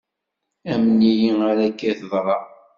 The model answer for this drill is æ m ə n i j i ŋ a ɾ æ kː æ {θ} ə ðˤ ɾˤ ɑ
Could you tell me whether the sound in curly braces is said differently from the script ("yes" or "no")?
no